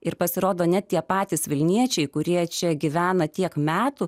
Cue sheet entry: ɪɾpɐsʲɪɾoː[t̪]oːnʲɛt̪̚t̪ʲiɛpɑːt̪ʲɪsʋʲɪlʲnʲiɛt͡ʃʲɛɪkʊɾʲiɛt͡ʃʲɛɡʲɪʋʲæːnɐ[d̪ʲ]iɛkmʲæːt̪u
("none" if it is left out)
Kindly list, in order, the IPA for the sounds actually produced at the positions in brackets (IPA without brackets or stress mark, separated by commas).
d̪, t̪ʲ